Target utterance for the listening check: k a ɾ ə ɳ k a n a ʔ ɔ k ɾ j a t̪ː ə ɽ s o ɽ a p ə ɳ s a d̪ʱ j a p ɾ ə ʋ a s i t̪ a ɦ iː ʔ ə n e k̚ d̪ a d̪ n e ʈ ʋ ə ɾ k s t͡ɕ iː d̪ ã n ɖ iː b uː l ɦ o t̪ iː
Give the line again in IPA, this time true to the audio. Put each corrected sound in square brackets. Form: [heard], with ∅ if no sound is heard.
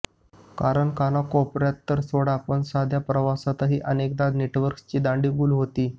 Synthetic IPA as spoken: k a ɾ ə ɳ k a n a [k] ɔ [p] ɾ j a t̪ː ə [ɾ] s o ɽ a p ə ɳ s a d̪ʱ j a p ɾ ə ʋ a s [a] t̪ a ɦ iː ʔ ə n e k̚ d̪ a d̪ n e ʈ ʋ ə ɾ k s t͡ɕ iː d̪ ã [ɳ] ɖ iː b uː l ɦ o t̪ iː

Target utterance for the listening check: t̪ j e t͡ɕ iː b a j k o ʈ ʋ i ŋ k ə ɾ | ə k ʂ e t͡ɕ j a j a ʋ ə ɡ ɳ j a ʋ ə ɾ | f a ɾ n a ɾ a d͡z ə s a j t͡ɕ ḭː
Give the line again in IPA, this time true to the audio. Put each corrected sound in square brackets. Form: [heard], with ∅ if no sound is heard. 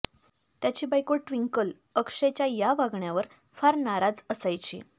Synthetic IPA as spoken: t̪ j [a] t͡ɕ iː b a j k o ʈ ʋ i ŋ k ə [l] | ə k ʂ e t͡ɕ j a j a ʋ [a] ɡ ɳ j a ʋ ə ɾ | f a ɾ n a ɾ a d͡z ə s a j t͡ɕ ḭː

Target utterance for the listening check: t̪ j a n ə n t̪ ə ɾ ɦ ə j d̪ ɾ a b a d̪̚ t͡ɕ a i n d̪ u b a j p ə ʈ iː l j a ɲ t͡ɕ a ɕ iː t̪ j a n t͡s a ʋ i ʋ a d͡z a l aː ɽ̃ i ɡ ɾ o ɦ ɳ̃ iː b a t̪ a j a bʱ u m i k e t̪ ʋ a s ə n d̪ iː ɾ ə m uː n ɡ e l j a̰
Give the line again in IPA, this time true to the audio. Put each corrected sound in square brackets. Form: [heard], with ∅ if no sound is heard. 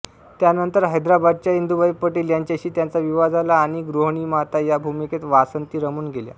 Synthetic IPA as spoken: t̪ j a n ə n t̪ ə ɾ ɦ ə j d̪ ɾ a b a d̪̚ t͡ɕ a i n d̪ u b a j p ə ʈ iː l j a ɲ t͡ɕ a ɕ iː t̪ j a n t͡s a ʋ i ʋ a d͡z a l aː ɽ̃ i ɡ ɾ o ɦ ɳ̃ iː [m] a t̪ a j a bʱ u m i k e t̪ ʋ a s ə n [t̪] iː ɾ ə m uː n ɡ e l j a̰

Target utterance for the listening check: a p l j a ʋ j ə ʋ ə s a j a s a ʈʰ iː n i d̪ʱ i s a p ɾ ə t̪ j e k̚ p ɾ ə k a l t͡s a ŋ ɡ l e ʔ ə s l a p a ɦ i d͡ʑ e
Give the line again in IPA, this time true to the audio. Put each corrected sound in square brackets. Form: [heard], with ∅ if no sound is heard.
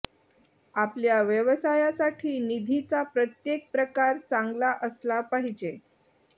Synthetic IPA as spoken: a p l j a ʋ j ə ʋ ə s a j a s a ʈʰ iː n i d̪ʱ i [t͡s] a p ɾ ə t̪ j e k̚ p ɾ ə k a [ɾ] t͡s a ŋ ɡ l [a] ʔ ə s l a p a ɦ i d͡ʑ e

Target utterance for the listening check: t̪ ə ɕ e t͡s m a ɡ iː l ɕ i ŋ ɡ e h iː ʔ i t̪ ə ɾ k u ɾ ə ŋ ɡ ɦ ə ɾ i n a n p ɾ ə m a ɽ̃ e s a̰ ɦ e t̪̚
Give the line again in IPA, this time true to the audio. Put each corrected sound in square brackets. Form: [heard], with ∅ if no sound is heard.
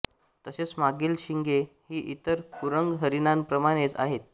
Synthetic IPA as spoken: t̪ ə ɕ e t͡s m a ɡ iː l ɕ i ŋ ɡ e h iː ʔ i t̪ ə ɾ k u ɾ ə ŋ ɡ ɦ ə ɾ i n a n p ɾ ə m a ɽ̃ e [t͡s] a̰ ɦ e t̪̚

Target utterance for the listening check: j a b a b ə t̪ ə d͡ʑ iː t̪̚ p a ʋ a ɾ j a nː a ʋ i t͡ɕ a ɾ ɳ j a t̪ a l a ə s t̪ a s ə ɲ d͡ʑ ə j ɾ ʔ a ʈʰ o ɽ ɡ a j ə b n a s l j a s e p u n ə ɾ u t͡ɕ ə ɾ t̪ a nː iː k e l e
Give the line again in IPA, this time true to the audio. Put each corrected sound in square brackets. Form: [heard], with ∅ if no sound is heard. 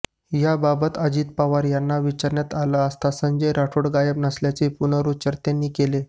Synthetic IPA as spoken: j a b a b ə t̪ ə d͡ʑ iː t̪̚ p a ʋ a ɾ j a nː a ʋ i t͡ɕ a ɾ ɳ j a t̪ a l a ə s t̪ a s ə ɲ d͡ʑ ə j ɾ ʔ a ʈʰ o ɽ ɡ a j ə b n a s l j a [t͡s] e p u n ə ɾ u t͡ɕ ə ɾ t̪ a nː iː k e l e

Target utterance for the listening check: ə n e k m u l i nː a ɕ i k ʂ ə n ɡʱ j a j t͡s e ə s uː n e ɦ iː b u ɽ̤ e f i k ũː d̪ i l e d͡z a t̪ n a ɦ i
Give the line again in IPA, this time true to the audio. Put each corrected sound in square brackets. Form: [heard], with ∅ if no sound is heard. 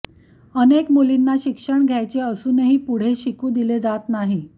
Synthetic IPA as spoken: ə n e k m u l i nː a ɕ i k ʂ ə [ɳ] ɡʱ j a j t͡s e ə s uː n e ɦ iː [p] u ɽ̤ e [ɕ] i k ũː d̪ i l e d͡z a t̪ n a ɦ i

